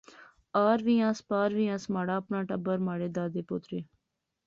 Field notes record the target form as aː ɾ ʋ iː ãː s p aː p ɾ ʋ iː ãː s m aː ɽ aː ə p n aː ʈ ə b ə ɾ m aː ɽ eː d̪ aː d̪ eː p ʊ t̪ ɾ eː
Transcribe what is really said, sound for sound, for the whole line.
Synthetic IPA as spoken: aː ɾ ʋ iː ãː s p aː ɾ ʋ iː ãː s m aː ɽ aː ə p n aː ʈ ə b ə ɾ m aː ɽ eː d̪ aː d̪ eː p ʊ t̪ ɾ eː